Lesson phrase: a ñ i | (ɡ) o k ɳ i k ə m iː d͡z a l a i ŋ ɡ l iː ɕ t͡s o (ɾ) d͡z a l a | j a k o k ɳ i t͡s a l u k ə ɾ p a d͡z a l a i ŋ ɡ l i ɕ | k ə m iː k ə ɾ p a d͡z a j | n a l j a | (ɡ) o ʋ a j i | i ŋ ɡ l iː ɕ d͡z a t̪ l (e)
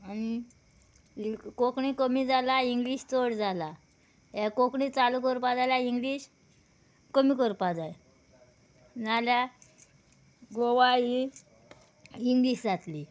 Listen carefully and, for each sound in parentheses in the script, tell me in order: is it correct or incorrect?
incorrect: k, incorrect: ɽ, correct, incorrect: i

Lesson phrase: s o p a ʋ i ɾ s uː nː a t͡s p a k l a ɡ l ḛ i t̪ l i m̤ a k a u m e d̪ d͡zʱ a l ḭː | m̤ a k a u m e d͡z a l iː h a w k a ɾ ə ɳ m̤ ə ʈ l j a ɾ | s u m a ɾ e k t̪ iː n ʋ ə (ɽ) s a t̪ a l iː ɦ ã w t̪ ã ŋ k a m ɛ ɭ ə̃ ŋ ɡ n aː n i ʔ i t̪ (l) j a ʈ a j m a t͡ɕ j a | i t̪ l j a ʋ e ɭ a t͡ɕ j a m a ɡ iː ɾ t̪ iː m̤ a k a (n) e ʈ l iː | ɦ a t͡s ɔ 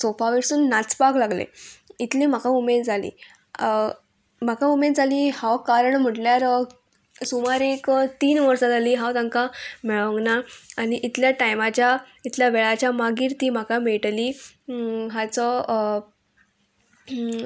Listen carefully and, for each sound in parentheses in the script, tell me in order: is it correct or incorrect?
incorrect: ɾ, correct, incorrect: m

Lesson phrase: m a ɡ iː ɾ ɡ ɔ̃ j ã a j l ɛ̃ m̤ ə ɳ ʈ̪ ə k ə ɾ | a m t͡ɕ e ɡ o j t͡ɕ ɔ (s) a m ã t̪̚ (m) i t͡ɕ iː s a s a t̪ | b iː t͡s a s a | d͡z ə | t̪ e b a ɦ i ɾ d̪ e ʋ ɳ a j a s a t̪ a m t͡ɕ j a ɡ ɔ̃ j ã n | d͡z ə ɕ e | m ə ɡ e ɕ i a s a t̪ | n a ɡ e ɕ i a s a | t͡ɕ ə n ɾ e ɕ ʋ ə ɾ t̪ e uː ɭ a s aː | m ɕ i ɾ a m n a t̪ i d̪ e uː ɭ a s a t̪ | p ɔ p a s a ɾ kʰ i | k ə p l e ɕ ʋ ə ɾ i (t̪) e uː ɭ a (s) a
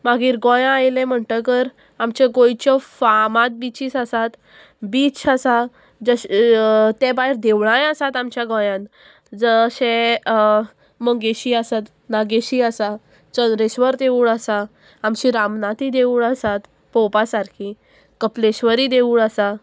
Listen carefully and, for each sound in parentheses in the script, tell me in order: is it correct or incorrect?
incorrect: f, incorrect: b, incorrect: d̪, correct

